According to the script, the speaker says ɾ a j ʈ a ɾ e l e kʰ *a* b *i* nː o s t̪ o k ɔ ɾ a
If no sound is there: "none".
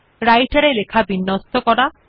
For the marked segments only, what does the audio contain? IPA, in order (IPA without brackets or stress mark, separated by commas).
a, i